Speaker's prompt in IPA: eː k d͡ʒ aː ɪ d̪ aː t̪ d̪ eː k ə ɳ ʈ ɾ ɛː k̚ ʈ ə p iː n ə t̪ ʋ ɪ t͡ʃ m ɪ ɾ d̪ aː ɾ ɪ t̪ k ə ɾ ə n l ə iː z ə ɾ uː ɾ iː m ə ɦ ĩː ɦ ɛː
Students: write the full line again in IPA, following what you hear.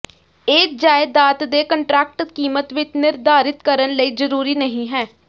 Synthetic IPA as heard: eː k d͡ʒ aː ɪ d̪ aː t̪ d̪ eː k ə ɳ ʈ ɾ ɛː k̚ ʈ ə k iː m ə t̪ ʋ ɪ t͡ʃ n ɪ ɾ d̪ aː ɾ ɪ t̪ k ə ɾ ə n l ə iː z ə ɾ uː ɾ iː n ə ɦ ĩː ɦ ɛː